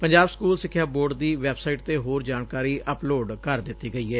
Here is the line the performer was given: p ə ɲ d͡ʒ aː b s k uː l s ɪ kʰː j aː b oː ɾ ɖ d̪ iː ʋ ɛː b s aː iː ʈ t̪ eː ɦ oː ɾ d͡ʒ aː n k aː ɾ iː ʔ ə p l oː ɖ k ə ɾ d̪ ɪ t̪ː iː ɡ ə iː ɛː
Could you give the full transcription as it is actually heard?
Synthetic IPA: p ə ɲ d͡ʒ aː b s k uː l s ɪ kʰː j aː b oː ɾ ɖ d̪ iː ʋ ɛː b s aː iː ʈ t̪ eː ɦ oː ɾ d͡ʒ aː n k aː ɾ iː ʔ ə p l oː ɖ k ə ɾ d̪ ɪ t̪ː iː ɡ ə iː ɛː

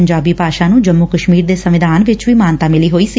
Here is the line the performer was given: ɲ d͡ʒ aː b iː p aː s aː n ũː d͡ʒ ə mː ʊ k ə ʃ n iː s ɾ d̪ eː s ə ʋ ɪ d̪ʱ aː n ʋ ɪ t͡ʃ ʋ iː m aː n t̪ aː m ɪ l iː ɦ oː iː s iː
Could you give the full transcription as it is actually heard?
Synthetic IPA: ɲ d͡ʒ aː b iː p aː ʃ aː n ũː d͡ʒ ə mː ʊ k ə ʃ m iː ɾ d̪ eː s ə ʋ ɪ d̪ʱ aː n ʋ ɪ t͡ʃ ʋ iː m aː n t̪ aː m ɪ l iː ɦ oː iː s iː

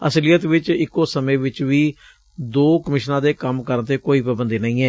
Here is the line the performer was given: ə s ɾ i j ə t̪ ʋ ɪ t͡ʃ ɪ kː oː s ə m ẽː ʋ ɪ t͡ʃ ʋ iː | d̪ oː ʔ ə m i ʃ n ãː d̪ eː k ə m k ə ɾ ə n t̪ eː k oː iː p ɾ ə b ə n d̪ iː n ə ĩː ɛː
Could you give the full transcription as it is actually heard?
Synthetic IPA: ə s l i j ə t̪ ʋ ɪ t͡ʃ ɪ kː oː s ə m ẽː ʋ ɪ t͡ʃ ʋ iː | d̪ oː k ə m ɪ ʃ n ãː d̪ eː k ə m k ə ɾ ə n t̪ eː k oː iː p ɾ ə b ə n d̪ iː n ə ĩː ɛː

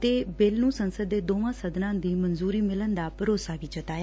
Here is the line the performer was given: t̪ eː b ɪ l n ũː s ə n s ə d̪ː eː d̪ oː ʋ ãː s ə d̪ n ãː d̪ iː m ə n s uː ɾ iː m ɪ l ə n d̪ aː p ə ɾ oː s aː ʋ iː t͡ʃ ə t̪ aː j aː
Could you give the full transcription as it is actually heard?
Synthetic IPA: t̪ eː b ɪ l n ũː s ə n s ə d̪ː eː d̪ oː ʋ ãː s ə d̪ n ãː d̪ iː m ə n z uː ɾ iː m ɪ l ə n d̪ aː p ə ɾ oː s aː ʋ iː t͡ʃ ə t̪ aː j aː

